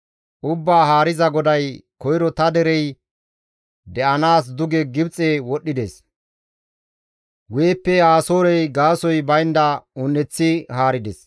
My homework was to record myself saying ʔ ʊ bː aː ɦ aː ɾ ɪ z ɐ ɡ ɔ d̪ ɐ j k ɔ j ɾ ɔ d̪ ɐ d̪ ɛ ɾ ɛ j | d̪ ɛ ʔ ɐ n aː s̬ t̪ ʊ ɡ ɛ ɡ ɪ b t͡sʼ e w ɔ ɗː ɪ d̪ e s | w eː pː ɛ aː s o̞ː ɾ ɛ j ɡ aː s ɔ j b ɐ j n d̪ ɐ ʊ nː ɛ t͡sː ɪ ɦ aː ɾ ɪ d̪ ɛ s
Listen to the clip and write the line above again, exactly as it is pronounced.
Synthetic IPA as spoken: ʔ ʊ bː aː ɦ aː ɾ ɪ z ɐ ɡ ɔ d̪ ɐ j k ɔ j ɾ ɔ t̪ ɐ d̪ ɛ ɾ ɛ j | d̪ ɛ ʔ ɐ n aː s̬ d̪ ʊ ɡ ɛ ɡ ɪ b t͡sʼ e w ɔ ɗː ɪ d̪ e s | w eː pː ɛ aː s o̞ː ɾ ɛ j ɡ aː s ɔ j b ɐ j n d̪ ɐ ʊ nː ɛ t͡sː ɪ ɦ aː ɾ ɪ d̪ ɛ s